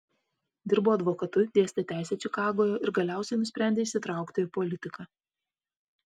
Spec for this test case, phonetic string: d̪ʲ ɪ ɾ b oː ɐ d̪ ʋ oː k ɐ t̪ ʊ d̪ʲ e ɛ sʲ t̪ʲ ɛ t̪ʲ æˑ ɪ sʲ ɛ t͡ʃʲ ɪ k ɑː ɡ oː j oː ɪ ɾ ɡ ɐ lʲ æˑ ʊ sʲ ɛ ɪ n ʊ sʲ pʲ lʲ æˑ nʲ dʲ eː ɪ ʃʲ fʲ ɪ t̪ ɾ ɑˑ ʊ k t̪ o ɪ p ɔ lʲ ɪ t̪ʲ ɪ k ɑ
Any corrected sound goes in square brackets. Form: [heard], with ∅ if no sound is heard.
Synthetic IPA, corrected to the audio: d̪ʲ ɪ ɾ b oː ɐ d̪ ʋ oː k ɐ t̪ ʊ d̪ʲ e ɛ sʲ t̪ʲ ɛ t̪ʲ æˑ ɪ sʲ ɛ t͡ʃʲ ɪ k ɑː ɡ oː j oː ɪ ɾ ɡ ɐ lʲ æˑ ʊ sʲ ɛ ɪ n ʊ sʲ pʲ [ɾʲ] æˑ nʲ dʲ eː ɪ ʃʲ [sʲ] ɪ t̪ ɾ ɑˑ ʊ k t̪ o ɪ p ɔ lʲ ɪ t̪ʲ ɪ k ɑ